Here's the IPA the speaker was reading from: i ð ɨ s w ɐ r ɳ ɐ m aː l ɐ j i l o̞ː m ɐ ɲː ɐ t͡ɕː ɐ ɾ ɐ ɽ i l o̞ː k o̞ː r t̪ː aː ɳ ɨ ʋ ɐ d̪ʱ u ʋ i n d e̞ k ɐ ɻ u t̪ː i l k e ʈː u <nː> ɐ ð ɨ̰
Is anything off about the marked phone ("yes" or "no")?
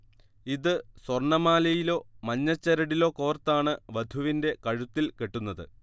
no